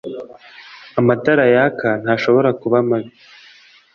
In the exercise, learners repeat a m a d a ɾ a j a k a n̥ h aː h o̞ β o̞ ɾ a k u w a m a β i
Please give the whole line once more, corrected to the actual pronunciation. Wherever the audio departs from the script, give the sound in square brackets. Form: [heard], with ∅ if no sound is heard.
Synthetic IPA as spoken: a m a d a ɾ a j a k a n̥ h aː [ʃ] o̞ β o̞ ɾ a k u [β] a m a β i